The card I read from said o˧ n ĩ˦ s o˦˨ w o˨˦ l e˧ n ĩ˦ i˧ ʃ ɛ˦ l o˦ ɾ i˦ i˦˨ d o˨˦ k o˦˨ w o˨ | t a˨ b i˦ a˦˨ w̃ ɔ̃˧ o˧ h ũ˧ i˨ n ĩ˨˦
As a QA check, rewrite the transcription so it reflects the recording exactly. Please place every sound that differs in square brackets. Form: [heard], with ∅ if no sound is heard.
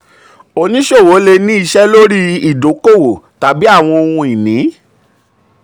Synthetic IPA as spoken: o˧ n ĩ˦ [ʃ] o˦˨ w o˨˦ l e˧ n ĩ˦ i˧ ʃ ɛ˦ l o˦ ɾ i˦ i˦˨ d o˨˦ k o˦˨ w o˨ | t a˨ b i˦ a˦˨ w̃ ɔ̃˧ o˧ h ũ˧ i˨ n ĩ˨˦

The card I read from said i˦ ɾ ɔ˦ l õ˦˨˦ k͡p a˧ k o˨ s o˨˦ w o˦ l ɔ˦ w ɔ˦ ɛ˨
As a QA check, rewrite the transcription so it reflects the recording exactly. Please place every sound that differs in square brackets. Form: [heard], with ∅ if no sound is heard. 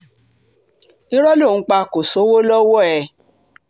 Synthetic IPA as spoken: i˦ ɾ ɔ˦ l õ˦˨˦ k͡p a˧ k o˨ s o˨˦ w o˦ l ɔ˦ w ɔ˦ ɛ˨

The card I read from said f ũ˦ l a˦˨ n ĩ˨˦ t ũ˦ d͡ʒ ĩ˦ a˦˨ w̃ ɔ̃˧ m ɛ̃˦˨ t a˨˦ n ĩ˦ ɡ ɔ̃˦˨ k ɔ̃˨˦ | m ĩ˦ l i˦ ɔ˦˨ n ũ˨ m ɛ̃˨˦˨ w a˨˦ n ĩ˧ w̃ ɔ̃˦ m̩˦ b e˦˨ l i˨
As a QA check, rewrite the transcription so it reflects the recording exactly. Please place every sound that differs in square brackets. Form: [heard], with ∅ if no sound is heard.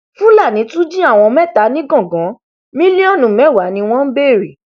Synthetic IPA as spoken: f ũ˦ l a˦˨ n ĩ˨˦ t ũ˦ d͡ʒ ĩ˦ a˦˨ w̃ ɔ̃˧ m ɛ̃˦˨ t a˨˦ n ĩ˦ ɡ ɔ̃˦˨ [ɡ] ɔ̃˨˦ | m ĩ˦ l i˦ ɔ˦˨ n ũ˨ m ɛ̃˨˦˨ w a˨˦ n ĩ˧ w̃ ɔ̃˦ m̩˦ b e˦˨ [ɾ] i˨

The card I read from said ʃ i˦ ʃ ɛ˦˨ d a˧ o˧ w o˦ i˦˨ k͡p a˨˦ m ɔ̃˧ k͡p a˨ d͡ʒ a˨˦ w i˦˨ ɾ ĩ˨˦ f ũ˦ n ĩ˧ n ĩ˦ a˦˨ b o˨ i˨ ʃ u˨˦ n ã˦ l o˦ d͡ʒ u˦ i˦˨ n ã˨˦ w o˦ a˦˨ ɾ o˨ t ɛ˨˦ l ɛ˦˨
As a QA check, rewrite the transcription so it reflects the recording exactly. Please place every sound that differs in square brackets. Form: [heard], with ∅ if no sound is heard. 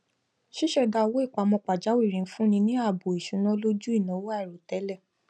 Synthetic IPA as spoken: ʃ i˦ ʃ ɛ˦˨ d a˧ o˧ w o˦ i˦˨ k͡p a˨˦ m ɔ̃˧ k͡p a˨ d͡ʒ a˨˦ w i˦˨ ɾ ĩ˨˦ f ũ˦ n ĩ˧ n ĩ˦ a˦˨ b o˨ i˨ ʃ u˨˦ n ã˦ l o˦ d͡ʒ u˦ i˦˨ n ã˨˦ w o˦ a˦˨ ɾ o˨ t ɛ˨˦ l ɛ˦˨

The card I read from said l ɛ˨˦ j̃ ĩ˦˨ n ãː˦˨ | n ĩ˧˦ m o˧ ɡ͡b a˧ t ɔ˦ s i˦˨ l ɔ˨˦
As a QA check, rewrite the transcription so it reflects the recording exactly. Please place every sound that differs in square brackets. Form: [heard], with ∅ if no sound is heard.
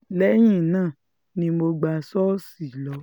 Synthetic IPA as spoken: l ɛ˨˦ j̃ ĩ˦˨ n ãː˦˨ | n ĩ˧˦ m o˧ ɡ͡b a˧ [s] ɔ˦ s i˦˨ l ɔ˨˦

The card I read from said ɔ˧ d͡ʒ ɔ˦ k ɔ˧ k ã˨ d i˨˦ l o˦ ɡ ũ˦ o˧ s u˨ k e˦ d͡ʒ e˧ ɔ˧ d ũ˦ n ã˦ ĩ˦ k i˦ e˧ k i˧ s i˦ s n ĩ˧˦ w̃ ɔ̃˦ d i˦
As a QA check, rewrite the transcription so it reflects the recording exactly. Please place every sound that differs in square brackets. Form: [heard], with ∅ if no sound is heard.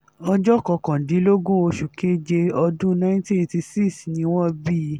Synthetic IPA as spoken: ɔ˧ d͡ʒ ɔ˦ k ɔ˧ k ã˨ d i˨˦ l o˦ ɡ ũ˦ o˧ [ʃ] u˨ k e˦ d͡ʒ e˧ ɔ˧ d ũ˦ n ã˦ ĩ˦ [t] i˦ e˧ [t] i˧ s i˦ s n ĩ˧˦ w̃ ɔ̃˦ [b] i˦

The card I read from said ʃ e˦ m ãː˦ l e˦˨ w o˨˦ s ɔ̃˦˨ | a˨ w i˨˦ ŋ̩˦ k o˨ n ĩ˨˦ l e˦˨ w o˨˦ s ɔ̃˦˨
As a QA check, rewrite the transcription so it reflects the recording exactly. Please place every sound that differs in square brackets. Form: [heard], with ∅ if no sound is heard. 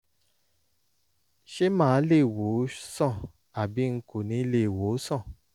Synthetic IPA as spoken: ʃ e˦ m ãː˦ l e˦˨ w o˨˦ s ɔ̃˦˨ | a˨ [b] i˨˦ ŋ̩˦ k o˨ n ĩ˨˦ l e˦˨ w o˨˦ s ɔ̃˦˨

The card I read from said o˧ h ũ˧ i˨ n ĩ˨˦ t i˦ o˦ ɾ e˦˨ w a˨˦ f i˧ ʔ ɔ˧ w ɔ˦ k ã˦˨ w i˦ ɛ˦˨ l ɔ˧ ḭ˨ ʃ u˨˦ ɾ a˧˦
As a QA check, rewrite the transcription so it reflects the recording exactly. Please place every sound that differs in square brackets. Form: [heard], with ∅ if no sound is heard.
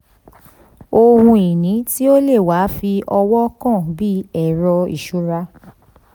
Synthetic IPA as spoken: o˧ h ũ˧ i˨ n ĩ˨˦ t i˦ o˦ [l] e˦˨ w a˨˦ f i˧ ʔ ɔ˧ w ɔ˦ k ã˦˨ [b] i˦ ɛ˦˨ [ɾ] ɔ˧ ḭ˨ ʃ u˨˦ ɾ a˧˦

